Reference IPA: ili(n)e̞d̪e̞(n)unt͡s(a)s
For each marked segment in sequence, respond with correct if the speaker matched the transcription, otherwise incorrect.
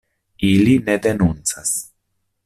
correct, correct, correct

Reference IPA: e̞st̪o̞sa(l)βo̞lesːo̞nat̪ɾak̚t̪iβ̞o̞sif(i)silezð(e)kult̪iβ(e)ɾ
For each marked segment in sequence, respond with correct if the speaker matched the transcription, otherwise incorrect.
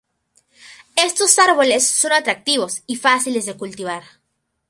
incorrect, incorrect, correct, incorrect

